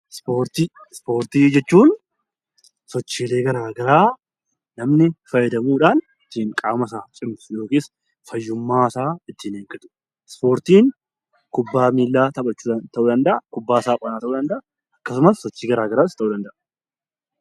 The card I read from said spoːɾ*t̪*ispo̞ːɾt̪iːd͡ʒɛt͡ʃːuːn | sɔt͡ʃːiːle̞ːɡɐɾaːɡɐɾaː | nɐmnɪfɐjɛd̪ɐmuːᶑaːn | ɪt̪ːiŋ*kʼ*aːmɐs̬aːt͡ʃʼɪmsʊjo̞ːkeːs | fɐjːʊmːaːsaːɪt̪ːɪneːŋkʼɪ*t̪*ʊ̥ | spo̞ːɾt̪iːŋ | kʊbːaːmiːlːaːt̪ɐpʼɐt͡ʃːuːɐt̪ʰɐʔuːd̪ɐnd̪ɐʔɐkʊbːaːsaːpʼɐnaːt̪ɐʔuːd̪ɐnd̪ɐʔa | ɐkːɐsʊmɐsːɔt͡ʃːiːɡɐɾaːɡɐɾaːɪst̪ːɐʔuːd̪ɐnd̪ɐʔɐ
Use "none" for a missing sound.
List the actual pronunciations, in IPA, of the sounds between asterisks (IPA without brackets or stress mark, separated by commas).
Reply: t̪, kʼ, t̪